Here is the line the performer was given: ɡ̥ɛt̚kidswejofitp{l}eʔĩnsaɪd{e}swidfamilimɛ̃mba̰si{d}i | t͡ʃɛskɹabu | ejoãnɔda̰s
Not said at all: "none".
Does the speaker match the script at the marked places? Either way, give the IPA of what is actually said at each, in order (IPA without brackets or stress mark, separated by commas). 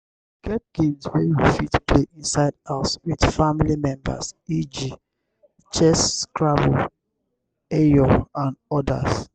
l, a, d͡ʒ